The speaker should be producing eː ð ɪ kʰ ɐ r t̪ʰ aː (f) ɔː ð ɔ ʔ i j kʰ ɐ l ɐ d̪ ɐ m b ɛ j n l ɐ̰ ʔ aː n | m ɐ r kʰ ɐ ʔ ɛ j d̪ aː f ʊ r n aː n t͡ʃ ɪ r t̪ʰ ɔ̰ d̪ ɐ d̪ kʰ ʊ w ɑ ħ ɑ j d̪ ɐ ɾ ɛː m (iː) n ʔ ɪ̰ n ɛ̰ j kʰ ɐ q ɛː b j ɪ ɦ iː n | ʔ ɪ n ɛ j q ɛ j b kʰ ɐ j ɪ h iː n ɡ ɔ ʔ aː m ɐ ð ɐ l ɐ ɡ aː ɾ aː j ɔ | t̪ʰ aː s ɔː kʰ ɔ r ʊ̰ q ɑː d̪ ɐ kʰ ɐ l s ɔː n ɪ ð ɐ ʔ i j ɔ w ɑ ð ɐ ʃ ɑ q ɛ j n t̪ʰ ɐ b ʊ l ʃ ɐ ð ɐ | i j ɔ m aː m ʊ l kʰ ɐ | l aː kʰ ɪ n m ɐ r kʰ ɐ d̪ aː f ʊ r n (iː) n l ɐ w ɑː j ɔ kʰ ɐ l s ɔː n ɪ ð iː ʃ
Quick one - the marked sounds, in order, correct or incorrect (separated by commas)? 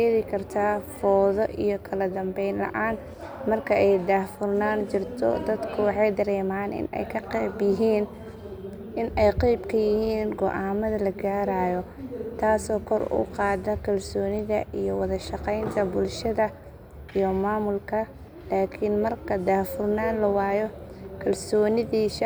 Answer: correct, incorrect, incorrect